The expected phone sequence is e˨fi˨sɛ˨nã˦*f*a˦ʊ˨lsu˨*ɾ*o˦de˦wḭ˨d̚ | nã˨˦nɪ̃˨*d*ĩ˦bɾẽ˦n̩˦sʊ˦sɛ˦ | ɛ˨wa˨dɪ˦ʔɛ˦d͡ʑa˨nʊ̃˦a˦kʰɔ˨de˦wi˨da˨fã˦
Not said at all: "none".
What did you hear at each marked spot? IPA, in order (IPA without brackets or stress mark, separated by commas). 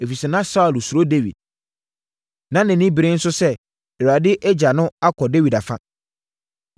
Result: s, ɾ, n